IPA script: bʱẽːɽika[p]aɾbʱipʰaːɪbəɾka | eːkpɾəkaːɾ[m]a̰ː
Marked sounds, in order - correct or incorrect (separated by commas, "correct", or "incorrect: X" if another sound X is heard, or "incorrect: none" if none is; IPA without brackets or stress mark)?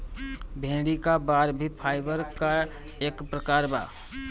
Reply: incorrect: b, incorrect: b